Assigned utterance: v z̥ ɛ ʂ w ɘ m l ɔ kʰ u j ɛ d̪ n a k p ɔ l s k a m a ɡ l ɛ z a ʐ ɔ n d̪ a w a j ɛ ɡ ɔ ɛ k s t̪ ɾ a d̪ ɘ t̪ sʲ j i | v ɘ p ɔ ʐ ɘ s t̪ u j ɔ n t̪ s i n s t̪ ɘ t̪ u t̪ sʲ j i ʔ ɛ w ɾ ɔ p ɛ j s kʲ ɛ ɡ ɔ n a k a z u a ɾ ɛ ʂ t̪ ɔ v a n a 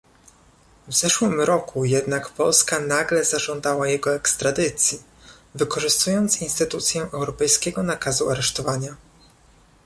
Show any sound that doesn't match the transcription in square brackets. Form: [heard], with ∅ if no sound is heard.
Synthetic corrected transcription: v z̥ ɛ ʂ w ɘ m [ɾ] ɔ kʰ u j ɛ d̪ n a k p ɔ l s k a [n] a ɡ l ɛ z a ʐ ɔ n d̪ a w a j ɛ ɡ ɔ ɛ k s t̪ ɾ a d̪ ɘ t̪ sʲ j i | v ɘ [k] ɔ ʐ ɘ s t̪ u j ɔ n t̪ s i n s t̪ ɘ t̪ u t̪ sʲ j [ɛ] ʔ ɛ w ɾ ɔ p ɛ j s kʲ ɛ ɡ ɔ n a k a z u a ɾ ɛ ʂ t̪ ɔ v a [ɲ] a